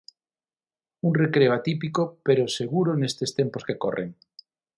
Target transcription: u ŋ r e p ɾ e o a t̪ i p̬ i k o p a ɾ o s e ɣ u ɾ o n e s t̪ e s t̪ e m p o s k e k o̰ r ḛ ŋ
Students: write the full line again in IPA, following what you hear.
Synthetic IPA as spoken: u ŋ r e k ɾ e o a t̪ i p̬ i k o p e ɾ o s e ɣ u ɾ o n e s t̪ e s t̪ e m p o s k e k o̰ r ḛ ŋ